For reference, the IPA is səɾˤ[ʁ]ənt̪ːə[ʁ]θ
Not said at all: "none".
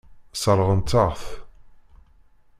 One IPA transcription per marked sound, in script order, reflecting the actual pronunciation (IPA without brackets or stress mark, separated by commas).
ʁ, ʁ